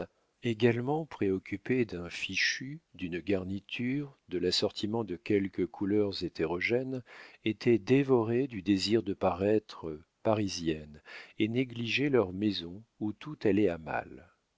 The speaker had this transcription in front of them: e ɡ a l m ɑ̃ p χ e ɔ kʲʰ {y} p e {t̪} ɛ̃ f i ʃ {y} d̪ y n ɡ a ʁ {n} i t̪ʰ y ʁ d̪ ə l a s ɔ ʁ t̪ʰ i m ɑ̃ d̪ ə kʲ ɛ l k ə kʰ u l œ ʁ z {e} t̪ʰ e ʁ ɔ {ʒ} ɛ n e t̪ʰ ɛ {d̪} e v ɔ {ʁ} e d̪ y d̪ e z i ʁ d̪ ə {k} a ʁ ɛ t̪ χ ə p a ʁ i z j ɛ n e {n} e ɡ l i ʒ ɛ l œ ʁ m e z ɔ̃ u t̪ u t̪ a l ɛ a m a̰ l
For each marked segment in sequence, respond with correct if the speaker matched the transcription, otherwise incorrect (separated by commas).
correct, incorrect, correct, correct, correct, correct, correct, correct, incorrect, correct